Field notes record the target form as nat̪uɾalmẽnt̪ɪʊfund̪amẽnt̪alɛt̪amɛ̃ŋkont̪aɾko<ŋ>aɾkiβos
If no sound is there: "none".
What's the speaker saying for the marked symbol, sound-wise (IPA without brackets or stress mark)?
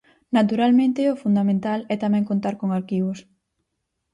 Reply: ŋ